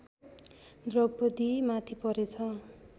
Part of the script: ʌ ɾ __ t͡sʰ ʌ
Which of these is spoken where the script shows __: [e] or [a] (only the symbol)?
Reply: e